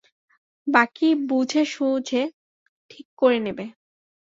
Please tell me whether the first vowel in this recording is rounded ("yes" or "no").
no